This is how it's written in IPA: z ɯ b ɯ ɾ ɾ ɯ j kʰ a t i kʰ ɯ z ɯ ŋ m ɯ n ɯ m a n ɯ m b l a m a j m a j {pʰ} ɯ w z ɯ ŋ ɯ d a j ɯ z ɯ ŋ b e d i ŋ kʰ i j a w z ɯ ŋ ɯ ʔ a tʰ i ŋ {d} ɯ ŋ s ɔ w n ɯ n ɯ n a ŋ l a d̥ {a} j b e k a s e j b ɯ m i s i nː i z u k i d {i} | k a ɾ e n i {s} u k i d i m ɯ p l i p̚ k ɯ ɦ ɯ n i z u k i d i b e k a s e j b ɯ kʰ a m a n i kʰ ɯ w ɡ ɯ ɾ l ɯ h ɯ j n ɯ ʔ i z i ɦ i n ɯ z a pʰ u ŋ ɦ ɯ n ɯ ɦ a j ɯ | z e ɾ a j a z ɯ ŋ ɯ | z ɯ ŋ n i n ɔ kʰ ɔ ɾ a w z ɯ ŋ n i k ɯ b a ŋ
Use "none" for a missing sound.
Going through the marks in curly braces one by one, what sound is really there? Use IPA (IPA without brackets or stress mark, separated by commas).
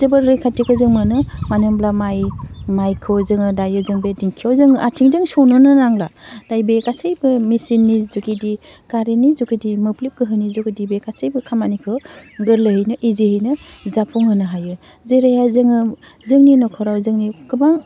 kʰ, d, a, i, z